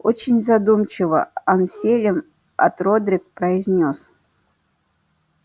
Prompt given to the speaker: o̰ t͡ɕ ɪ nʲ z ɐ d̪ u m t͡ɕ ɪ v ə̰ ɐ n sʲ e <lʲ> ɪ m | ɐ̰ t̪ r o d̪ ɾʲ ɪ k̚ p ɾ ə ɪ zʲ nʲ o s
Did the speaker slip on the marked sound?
no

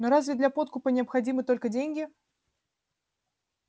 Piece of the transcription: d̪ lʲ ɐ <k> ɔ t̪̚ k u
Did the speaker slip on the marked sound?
yes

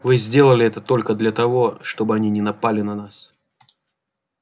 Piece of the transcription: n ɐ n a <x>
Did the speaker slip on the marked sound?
yes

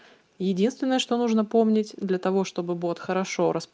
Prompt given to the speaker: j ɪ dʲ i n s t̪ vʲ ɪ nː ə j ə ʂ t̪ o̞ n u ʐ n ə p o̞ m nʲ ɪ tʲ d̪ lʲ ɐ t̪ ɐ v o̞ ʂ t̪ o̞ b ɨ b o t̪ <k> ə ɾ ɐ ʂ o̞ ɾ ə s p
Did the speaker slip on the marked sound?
yes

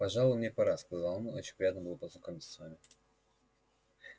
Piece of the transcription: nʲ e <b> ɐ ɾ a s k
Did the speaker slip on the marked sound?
yes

